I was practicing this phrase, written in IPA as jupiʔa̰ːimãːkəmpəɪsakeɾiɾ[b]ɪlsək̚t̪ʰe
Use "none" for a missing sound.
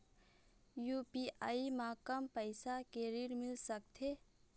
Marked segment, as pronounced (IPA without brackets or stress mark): m